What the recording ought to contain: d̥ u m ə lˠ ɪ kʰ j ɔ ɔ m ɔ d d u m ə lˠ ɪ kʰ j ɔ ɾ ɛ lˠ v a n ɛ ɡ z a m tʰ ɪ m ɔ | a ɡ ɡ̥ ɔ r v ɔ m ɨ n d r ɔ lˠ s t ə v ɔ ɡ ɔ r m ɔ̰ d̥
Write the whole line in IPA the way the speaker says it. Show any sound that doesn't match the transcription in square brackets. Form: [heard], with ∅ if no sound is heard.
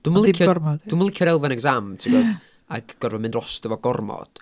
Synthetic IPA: d̥ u m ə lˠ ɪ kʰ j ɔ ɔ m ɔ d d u m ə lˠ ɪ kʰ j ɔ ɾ ɛ lˠ v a n ɛ ɡ z a m tʰ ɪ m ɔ | a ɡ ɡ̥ ɔ r v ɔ m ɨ n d r ɔ [∅] s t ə v ɔ ɡ ɔ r m ɔ̰ d̥

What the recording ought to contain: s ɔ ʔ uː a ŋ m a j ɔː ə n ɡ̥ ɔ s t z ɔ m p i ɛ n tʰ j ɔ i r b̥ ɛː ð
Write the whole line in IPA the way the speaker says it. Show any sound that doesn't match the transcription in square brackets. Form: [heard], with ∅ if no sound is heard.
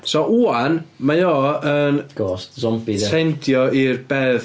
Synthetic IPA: s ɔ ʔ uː a [n] m a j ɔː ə n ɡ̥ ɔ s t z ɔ m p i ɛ n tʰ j ɔ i r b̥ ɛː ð

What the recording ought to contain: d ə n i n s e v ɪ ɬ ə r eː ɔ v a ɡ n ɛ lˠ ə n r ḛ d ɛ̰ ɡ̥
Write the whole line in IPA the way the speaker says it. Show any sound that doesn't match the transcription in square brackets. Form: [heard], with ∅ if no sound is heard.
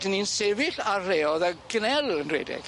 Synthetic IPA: d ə n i n s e v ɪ ɬ [a] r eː ɔ [ð] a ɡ n ɛ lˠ ə n r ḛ d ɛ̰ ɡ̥

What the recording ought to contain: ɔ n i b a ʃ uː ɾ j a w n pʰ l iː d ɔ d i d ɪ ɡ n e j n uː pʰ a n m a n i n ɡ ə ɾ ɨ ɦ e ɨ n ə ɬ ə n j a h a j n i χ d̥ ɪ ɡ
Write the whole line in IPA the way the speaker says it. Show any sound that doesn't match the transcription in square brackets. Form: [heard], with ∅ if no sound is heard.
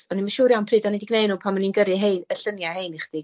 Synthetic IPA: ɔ n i [m] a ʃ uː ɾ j a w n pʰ [r] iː d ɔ [n] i d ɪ ɡ n e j n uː pʰ a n m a n i n ɡ ə ɾ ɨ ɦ e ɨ n ə ɬ ə n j a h [e] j n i χ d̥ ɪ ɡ

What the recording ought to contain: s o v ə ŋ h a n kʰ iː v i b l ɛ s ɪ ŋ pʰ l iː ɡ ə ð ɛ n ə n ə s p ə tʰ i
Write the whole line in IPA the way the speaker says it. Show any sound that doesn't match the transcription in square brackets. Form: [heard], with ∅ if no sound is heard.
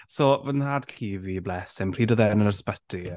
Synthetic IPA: s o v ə [n] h a [d] kʰ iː v i b l ɛ s ɪ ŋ pʰ [r] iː [d] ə ð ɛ n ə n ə s p ə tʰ i

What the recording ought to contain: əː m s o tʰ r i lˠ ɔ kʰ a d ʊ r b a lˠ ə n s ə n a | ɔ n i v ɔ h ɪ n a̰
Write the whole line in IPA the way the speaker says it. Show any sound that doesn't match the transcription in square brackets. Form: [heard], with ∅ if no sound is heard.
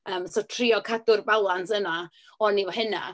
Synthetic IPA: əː m s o tʰ r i [∅] ɔ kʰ a d ʊ r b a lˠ [a] n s ə n a | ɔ n i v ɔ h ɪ n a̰

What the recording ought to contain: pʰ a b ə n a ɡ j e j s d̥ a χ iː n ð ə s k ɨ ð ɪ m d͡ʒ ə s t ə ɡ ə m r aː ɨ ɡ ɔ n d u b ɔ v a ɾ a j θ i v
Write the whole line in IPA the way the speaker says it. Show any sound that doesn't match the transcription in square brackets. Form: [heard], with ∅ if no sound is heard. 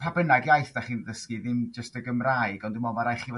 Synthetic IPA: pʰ a b ə n a ɡ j [a] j [θ] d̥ a χ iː n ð ə s k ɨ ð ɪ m d͡ʒ ə s t ə ɡ ə m r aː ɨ ɡ ɔ n d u [m] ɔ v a ɾ a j [χ] i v

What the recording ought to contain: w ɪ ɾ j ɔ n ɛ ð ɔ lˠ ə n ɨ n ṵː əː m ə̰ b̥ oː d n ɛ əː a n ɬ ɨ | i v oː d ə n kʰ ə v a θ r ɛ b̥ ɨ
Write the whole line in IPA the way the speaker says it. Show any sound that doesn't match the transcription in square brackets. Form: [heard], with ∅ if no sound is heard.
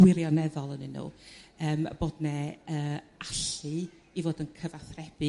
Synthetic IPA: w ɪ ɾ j ɔ n ɛ ð ɔ lˠ ə n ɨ n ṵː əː m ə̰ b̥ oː d n ɛ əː a [∅] ɬ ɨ | i v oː d ə n kʰ ə v a θ r ɛ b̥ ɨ

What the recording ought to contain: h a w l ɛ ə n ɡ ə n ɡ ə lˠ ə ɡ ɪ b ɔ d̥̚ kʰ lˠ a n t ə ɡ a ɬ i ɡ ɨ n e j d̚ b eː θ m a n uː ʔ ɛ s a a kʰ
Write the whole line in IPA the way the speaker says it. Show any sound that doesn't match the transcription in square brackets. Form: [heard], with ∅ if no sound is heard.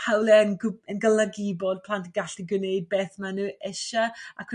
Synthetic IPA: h a w l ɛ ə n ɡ ə n ɡ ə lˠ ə ɡ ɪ b ɔ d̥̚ [pʰ] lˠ a n t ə ɡ a ɬ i ɡ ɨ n e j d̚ b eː θ m a n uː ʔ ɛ [ʃ] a a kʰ

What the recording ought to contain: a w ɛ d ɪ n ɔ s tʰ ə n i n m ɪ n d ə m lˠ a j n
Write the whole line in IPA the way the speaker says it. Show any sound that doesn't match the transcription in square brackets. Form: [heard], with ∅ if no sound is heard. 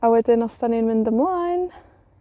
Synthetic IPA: a w ɛ d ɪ n ɔ s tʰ [a] n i n m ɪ n d ə m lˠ a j n

